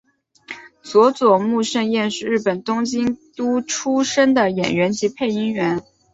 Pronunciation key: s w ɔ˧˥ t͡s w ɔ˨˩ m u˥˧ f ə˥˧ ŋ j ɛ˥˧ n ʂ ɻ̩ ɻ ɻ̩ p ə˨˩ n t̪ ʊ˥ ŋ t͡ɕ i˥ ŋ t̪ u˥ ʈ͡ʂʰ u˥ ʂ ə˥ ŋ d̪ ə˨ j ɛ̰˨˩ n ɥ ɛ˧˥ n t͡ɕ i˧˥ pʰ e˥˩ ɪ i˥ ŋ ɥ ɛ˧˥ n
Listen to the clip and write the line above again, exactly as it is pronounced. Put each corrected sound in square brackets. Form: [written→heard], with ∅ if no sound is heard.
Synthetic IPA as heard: s w ɔ˧˥ t͡s w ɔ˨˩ m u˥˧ [f→ʂ] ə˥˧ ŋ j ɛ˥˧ n ʂ ɻ̩ ɻ ɻ̩ p ə˨˩ n t̪ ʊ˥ ŋ t͡ɕ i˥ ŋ t̪ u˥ ʈ͡ʂʰ u˥ ʂ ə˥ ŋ d̪ ə˨ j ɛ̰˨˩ n ɥ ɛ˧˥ n t͡ɕ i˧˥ pʰ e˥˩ ɪ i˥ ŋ ɥ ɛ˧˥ n